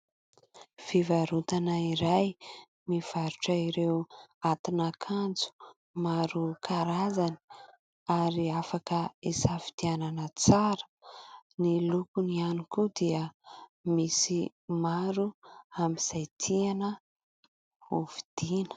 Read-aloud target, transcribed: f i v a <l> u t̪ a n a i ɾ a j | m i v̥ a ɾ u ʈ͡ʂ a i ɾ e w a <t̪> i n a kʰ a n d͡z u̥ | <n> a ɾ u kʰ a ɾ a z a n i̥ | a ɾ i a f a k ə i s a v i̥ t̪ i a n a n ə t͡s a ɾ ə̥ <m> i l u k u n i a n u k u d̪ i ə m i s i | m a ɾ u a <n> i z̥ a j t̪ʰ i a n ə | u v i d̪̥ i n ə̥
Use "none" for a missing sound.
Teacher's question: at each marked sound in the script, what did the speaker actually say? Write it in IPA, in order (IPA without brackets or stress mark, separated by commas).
ɾ, t̪, m, n, m